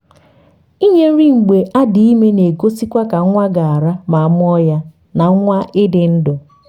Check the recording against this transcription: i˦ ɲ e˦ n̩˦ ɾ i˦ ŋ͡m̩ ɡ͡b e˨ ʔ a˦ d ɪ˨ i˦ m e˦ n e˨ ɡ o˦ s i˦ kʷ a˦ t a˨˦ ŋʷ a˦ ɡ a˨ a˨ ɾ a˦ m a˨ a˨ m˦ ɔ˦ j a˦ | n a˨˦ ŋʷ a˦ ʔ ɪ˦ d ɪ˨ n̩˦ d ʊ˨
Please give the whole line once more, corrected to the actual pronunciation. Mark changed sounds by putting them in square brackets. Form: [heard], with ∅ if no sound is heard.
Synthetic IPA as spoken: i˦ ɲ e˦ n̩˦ ɾ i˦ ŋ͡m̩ ɡ͡b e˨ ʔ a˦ d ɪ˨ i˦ m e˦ n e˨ ɡ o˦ s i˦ kʷ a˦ [k] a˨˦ ŋʷ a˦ ɡ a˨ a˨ ɾ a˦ m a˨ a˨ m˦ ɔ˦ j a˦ | n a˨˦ ŋʷ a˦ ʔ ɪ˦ d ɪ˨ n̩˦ d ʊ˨